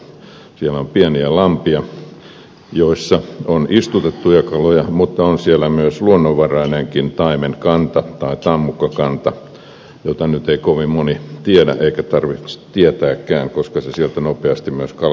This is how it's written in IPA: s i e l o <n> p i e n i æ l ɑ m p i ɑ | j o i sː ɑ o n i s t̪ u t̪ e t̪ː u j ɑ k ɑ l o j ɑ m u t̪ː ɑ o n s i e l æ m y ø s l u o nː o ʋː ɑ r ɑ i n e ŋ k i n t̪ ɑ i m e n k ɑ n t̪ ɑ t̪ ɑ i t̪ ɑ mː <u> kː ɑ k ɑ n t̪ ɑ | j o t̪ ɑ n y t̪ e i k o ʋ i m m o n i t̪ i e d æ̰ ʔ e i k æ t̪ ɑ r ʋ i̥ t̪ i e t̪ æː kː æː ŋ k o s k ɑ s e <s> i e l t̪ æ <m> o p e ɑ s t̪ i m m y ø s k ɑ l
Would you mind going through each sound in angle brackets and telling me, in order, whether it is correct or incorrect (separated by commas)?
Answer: incorrect, correct, correct, incorrect